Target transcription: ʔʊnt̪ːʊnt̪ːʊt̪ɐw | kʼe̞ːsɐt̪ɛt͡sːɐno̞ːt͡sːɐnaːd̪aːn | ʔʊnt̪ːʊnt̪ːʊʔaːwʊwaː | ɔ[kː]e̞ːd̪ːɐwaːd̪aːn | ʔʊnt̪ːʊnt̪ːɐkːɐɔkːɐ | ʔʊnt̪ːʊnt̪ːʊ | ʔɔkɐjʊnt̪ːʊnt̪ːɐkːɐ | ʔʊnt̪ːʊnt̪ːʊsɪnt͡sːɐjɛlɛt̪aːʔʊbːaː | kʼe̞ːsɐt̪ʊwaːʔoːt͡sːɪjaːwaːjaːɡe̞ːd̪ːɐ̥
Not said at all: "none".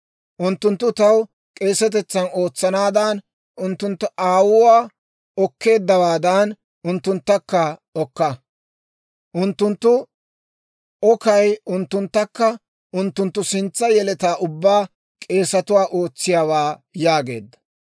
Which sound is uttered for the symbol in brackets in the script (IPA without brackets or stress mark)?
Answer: kː